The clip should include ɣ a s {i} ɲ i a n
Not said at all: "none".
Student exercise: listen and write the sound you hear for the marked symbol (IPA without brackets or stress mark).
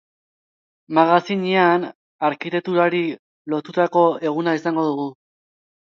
i